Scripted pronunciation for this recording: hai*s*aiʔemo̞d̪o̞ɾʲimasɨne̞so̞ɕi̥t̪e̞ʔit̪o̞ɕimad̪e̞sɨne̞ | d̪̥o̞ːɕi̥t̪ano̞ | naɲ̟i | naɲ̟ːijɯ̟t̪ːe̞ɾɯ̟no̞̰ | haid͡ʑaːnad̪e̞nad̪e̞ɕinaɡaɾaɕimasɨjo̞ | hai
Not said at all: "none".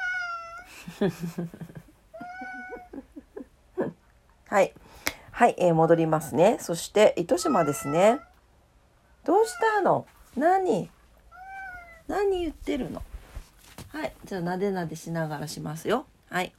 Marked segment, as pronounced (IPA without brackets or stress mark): h